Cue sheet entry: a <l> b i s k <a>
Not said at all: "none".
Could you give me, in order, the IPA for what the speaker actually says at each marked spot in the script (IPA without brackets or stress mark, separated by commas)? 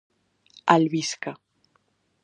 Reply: l, a